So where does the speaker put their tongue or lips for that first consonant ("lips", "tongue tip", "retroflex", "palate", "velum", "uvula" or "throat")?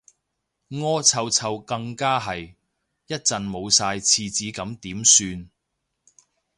velum